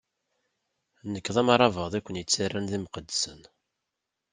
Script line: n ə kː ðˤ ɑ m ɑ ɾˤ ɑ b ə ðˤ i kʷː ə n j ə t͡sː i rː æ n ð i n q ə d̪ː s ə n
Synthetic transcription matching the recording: n ə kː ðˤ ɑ m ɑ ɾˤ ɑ v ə ðˤ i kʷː ə n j ə t͡sː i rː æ n ð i m q ə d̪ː s ə n